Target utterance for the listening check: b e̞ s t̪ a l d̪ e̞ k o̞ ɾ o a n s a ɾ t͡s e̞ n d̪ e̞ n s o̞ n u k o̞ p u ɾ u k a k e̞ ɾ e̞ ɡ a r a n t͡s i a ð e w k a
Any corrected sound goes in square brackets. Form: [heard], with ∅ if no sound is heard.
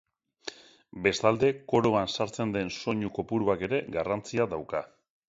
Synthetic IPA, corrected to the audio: b e̞ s t̪ a l d̪ e̞ k o̞ ɾ o a n s a ɾ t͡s e̞ n d̪ e̞ n s o̞ [ɲ] u k o̞ p u ɾ u [∅] a k e̞ ɾ e̞ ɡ a r a n t͡s i a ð [a] w k a